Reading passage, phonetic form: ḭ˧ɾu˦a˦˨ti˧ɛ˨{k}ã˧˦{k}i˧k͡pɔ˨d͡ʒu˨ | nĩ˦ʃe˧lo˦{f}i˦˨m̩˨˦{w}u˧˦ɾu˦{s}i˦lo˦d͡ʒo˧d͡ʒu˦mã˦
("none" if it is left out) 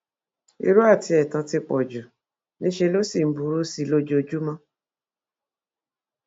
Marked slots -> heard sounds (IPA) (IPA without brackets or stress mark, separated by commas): t, t, s, b, s